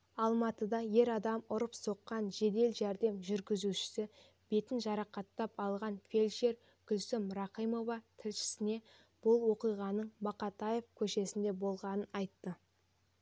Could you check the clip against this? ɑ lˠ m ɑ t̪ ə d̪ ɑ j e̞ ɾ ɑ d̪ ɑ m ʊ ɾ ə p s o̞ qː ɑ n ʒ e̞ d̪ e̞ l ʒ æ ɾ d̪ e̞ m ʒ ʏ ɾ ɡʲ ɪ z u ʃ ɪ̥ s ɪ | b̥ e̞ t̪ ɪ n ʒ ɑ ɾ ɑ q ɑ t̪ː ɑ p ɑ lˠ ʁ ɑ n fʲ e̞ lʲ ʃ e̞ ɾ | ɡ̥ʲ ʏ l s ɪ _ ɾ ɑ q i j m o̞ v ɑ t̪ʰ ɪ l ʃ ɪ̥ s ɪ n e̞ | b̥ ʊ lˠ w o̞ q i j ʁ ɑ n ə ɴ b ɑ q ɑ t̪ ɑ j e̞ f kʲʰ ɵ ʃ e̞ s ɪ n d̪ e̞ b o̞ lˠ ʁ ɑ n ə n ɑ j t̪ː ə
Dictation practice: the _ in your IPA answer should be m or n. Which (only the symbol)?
m